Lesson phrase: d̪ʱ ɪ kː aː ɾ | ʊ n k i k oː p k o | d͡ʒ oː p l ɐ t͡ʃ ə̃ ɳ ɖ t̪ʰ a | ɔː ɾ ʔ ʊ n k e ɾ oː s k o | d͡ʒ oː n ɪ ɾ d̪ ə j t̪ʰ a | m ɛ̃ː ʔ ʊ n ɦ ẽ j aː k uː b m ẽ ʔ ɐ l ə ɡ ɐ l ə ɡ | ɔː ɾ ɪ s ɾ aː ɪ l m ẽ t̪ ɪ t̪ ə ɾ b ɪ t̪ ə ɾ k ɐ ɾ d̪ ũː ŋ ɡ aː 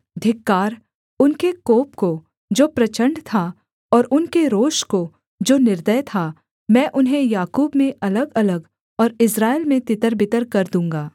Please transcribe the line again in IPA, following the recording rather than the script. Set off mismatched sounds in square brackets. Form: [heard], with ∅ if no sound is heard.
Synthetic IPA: d̪ʱ ɪ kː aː ɾ | ʊ n k [e] k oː p k o | d͡ʒ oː p [ɾ] ɐ t͡ʃ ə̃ ɳ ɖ t̪ʰ a | ɔː ɾ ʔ ʊ n k e ɾ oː [ʃ] k o | d͡ʒ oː n ɪ ɾ d̪ ə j t̪ʰ a | m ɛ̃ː ʔ ʊ n ɦ ẽ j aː k uː b m ẽ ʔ ɐ l ə ɡ ɐ l ə ɡ | ɔː ɾ ɪ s ɾ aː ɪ l m ẽ t̪ ɪ t̪ ə ɾ b ɪ t̪ ə ɾ k ɐ ɾ d̪ ũː ŋ ɡ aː

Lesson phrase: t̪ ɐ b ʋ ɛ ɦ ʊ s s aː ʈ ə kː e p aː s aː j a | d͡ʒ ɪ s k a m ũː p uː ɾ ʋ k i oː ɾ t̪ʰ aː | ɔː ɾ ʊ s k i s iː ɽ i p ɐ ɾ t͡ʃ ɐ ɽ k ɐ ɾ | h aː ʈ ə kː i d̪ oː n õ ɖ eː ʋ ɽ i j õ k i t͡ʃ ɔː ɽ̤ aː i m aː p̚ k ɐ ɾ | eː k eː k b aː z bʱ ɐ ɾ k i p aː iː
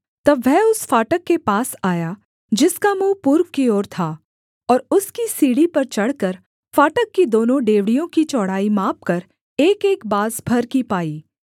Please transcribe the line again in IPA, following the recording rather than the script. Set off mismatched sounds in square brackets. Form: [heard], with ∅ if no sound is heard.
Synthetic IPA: t̪ ɐ b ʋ ɛ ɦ ʊ s [f] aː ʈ ə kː e p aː s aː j a | d͡ʒ ɪ s k a m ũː p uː ɾ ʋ k i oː ɾ t̪ʰ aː | ɔː ɾ ʊ s k i s iː ɽ i p ɐ ɾ t͡ʃ ɐ ɽ k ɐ ɾ | [f] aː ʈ ə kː i d̪ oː n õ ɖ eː ʋ ɽ i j õ k i t͡ʃ ɔː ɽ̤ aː i m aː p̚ k ɐ ɾ | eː k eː k b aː z bʱ ɐ ɾ k i p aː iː

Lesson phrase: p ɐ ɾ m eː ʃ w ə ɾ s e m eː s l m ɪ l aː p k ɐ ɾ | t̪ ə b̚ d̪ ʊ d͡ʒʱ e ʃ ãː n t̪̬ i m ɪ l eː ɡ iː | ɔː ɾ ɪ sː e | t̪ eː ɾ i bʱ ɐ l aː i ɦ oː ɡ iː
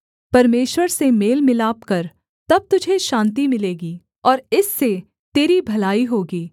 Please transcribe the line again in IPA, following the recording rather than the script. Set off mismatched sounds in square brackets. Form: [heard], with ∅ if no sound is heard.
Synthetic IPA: p ɐ ɾ m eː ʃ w ə ɾ s e m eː [∅] l m ɪ l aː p k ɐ ɾ | t̪ [ɐ] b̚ [t̪] ʊ d͡ʒʱ e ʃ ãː n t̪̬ i m ɪ l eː ɡ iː | ɔː ɾ ɪ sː e | t̪ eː ɾ i bʱ ɐ l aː i ɦ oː ɡ iː

